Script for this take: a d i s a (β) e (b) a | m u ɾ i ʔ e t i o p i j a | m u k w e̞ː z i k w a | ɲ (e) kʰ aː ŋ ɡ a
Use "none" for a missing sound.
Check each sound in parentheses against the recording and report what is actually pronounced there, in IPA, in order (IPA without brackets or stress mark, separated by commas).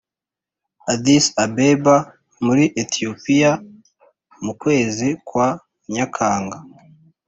b, b, a